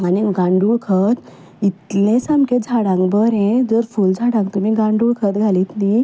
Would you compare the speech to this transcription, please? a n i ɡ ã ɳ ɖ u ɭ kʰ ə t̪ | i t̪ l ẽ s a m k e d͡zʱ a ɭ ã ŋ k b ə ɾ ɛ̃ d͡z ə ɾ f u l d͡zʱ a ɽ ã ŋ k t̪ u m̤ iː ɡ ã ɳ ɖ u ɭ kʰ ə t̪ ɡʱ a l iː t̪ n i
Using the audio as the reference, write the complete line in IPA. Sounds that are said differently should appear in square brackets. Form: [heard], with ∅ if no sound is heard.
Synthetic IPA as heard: a n i ɡ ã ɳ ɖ u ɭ kʰ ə t̪ | i t̪ l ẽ s a m k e d͡zʱ a [ɽ] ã ŋ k b ə ɾ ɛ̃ d͡z ə ɾ f u l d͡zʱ a ɽ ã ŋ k t̪ u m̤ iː ɡ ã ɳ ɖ u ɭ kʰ ə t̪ ɡʱ a l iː t̪ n i